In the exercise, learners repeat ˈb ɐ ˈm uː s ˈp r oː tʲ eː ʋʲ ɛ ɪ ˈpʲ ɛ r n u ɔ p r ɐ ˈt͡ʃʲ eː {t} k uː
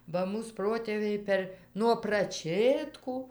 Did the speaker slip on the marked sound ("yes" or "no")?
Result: no